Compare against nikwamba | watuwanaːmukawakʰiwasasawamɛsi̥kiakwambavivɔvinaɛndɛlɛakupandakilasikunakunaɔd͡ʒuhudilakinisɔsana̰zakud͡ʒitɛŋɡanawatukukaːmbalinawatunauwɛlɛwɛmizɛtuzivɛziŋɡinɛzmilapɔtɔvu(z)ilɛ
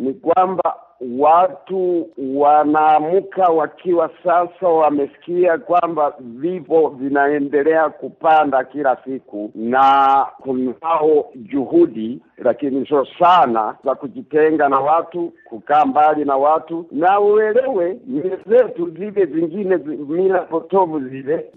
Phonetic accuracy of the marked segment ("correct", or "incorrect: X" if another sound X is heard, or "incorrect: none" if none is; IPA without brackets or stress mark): correct